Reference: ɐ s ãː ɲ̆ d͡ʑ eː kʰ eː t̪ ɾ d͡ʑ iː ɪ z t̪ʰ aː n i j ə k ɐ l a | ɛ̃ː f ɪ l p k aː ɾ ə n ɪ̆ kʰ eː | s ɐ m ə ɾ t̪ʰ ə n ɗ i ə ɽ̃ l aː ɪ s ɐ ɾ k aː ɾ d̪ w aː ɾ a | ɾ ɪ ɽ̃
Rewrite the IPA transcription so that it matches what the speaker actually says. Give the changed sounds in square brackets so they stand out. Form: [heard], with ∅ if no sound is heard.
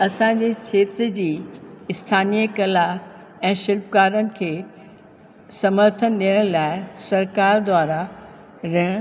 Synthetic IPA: ɐ s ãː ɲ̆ d͡ʑ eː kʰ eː t̪ ɾ d͡ʑ iː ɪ [s] t̪ʰ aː n i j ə k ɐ l a | ɛ̃ː [ʃ] ɪ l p k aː ɾ ə n ɪ̆ kʰ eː | s ɐ m ə ɾ t̪ʰ ə n ɗ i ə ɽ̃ l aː ɪ s ɐ ɾ k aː ɾ d̪ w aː ɾ a | ɾ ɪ ɽ̃